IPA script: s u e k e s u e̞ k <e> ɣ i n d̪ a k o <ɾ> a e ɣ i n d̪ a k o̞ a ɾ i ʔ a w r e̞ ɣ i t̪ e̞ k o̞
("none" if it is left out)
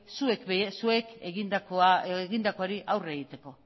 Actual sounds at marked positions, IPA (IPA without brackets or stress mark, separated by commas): e, none